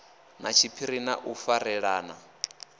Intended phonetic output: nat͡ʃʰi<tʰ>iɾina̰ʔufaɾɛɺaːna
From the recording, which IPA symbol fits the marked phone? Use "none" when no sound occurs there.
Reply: pʰ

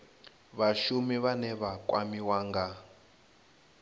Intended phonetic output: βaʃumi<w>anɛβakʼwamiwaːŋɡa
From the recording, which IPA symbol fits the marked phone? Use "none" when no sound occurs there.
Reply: β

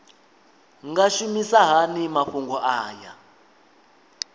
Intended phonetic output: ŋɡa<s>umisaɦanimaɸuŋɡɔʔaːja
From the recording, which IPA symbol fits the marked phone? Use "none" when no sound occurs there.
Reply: ʃ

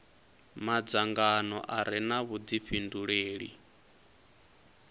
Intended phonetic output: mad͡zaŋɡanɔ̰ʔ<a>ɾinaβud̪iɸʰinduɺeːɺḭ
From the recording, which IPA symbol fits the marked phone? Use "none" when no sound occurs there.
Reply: a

